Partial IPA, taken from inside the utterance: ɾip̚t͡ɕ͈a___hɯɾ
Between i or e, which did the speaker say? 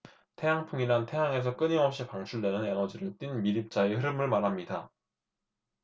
e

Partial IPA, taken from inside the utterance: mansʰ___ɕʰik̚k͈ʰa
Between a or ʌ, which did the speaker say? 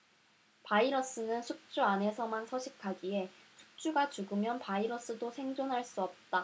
ʌ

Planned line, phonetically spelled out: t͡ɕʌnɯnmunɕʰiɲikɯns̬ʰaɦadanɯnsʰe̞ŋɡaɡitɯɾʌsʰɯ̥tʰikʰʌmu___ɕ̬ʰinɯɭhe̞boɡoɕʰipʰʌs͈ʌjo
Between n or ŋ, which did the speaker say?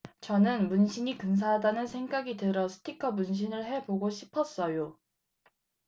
n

